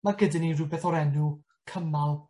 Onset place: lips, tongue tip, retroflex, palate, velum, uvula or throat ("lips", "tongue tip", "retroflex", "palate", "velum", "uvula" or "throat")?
lips